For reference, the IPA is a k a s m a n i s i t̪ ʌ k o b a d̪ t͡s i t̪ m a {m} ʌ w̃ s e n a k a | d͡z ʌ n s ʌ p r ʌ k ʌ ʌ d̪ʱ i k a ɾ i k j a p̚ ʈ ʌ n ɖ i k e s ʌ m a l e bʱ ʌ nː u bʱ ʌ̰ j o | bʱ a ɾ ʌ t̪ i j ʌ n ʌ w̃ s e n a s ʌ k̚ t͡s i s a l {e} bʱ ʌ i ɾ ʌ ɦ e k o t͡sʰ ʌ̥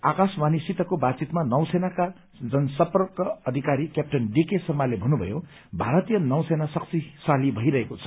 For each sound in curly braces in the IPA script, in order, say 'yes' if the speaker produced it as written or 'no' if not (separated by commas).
no, no